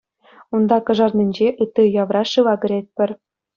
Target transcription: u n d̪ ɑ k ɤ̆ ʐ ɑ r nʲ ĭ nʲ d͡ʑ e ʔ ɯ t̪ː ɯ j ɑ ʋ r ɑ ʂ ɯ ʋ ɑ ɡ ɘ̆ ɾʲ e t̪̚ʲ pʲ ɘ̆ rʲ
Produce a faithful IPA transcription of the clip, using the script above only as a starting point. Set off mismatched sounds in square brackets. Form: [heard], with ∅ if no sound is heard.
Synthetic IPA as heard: u n d̪ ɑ k ɤ̆ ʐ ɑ r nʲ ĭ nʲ d͡ʑ e ʔ ɯ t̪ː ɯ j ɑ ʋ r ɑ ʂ ɯ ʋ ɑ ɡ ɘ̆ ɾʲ e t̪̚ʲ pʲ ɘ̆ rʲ